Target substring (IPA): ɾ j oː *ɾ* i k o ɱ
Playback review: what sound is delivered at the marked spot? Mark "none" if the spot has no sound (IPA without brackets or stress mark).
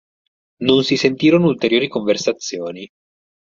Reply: ɾ